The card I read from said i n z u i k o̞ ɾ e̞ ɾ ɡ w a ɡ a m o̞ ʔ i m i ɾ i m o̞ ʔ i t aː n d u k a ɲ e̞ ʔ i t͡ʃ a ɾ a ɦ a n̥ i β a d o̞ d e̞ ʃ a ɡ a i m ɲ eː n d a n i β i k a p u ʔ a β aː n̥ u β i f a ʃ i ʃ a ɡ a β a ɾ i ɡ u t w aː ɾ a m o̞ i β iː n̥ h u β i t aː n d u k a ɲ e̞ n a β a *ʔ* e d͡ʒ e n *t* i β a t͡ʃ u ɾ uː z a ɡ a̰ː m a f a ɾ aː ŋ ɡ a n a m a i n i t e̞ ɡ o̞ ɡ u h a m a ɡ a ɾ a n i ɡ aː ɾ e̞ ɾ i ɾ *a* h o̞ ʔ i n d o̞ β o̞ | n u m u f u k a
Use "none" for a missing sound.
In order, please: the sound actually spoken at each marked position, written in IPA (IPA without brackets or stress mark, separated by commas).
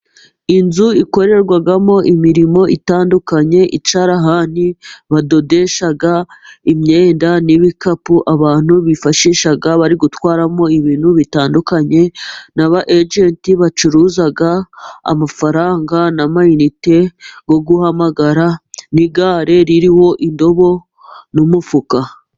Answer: ʔ, t, i